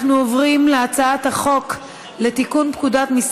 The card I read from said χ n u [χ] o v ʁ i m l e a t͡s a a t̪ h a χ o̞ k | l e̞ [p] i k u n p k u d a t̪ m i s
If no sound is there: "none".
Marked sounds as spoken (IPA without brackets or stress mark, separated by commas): none, t